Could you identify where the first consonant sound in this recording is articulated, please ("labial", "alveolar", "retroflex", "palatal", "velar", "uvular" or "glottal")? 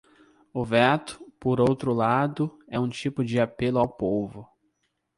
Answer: labial